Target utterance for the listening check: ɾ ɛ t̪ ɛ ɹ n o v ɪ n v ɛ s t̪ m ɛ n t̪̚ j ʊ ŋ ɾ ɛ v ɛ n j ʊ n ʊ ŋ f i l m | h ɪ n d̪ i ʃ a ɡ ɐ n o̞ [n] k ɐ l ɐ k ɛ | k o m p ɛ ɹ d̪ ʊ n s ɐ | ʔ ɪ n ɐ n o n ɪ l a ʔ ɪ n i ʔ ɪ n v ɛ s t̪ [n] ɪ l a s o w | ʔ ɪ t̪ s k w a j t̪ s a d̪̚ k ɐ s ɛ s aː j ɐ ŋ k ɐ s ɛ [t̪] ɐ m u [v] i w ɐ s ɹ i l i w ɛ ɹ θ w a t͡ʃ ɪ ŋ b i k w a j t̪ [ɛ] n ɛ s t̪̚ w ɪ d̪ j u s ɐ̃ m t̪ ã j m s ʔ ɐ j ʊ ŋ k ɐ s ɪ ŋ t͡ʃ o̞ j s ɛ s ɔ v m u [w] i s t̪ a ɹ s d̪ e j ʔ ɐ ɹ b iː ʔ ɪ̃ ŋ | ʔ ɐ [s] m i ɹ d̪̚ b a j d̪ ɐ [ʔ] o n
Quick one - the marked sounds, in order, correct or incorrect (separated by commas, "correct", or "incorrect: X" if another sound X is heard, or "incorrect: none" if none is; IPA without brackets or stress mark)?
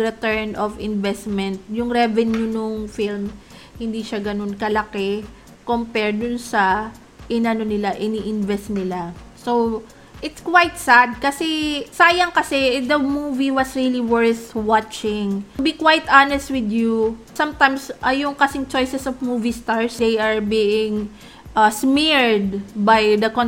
correct, correct, incorrect: d̪, correct, incorrect: a, incorrect: v, correct, incorrect: k